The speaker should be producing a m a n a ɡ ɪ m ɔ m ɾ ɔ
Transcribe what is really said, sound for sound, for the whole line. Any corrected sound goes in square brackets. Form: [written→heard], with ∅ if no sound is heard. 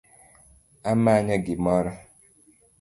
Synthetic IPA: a m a [n→ɲ] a ɡ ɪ m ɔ [m→∅] ɾ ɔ